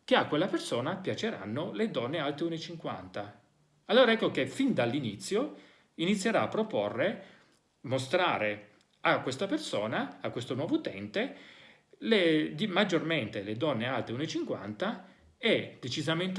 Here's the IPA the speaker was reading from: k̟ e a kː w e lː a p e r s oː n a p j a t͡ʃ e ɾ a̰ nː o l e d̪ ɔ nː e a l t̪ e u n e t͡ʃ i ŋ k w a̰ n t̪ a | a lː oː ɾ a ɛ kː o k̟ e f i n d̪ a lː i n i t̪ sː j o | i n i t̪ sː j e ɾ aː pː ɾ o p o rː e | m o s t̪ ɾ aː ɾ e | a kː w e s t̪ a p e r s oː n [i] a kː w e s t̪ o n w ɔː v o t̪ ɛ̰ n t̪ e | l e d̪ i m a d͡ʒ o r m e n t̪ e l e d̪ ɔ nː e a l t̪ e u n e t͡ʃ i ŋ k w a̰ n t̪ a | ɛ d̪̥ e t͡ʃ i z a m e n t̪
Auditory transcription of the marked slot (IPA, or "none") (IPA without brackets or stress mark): a